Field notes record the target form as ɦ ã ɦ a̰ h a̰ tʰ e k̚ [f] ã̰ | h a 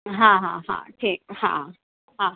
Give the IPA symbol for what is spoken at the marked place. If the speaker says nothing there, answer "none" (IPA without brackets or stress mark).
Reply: h